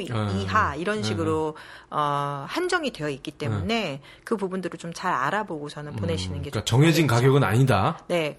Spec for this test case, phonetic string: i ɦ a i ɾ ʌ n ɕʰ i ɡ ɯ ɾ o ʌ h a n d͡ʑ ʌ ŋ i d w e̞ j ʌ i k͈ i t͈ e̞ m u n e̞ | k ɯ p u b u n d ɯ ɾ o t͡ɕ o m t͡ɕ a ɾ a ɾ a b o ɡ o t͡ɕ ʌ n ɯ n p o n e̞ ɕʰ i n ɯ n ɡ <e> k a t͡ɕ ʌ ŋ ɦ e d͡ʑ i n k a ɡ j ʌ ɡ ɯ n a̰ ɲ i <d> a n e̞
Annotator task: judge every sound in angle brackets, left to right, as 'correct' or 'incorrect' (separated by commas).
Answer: correct, correct